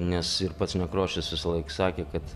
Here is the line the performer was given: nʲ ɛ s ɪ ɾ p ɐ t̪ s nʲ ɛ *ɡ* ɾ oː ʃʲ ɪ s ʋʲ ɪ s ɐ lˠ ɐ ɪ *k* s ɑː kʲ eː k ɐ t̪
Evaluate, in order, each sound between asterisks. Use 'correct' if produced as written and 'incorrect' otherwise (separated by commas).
incorrect, correct